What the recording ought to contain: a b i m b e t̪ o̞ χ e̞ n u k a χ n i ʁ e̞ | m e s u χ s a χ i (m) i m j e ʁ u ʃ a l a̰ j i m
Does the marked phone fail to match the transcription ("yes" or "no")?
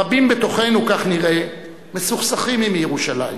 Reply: no